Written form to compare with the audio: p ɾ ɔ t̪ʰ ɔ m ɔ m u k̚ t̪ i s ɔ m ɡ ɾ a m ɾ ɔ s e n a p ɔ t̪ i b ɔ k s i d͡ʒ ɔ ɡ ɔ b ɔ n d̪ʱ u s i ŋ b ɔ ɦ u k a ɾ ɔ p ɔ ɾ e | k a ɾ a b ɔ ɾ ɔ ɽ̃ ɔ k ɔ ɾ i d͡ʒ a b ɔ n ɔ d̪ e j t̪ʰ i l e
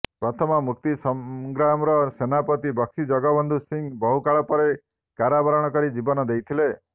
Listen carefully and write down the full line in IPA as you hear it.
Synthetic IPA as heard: p ɾ ɔ t̪ʰ ɔ m ɔ m u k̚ t̪ i s ɔ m ɡ ɾ a m ɾ ɔ s e n a p ɔ t̪ i b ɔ k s i d͡ʒ ɔ ɡ ɔ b ɔ n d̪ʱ u s i ŋ b ɔ ɦ u k a ɭ ɔ p ɔ ɾ e | k a ɾ a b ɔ ɾ ɔ ɽ̃ ɔ k ɔ ɾ i d͡ʒ i b ɔ n ɔ d̪ e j t̪ʰ i l e

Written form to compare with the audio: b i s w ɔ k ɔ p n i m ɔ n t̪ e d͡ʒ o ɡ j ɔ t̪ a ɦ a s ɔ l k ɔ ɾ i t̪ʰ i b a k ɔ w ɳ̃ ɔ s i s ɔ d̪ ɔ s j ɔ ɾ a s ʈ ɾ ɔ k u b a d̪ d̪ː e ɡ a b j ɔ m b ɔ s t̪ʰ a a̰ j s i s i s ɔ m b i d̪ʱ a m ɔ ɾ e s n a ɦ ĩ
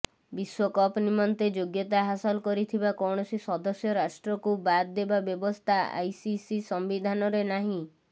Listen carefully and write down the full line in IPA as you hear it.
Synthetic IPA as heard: b i s w ɔ k ɔ p n i m ɔ n t̪ e d͡ʒ o ɡ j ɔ t̪ a ɦ a s ɔ l k ɔ ɾ i t̪ʰ i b a k ɔ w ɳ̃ ɔ s i s ɔ d̪ ɔ s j ɔ ɾ a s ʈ ɾ ɔ k u b a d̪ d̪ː e b a b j ɔ b ɔ s t̪ʰ a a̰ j s i s i s ɔ m b i d̪ʱ a n ɔ ɾ e n a ɦ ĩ

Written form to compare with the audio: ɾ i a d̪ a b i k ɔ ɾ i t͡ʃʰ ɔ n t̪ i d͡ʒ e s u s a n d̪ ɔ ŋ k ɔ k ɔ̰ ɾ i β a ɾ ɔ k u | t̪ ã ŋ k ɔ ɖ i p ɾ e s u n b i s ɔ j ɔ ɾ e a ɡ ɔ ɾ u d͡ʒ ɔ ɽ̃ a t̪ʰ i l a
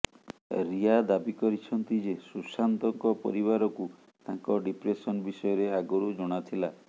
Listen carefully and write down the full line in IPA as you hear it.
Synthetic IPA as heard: ɾ i a d̪ a b i k ɔ ɾ i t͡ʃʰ ɔ n t̪ i d͡ʒ e s u s a n t̪ ɔ ŋ k ɔ p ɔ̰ ɾ i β a ɾ ɔ k u | t̪ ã ŋ k ɔ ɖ i p ɾ e s ɔ n b i s ɔ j ɔ ɾ e a ɡ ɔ ɾ u d͡ʒ ɔ ɽ̃ a t̪ʰ i l a

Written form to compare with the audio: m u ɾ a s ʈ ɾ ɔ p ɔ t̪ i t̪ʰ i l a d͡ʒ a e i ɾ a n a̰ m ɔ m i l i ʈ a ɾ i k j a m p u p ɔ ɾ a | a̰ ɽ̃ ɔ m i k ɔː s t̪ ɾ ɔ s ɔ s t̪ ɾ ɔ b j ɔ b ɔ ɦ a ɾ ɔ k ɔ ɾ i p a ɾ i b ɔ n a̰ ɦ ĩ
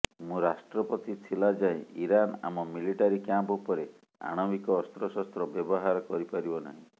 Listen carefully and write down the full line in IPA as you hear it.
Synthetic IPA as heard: m ũ ɾ a s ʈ ɾ ɔ p ɔ t̪ i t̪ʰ i l a d͡ʒ a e i ɾ a n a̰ m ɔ m i l i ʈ a ɾ i k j a m p u p ɔ ɾ e | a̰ ɽ̃ ɔ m i k ɔː s t̪ ɾ ɔ s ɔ s t̪ ɾ ɔ b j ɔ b ɔ ɦ a ɾ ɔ k ɔ ɾ i p a ɾ i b ɔ n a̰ ɦ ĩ

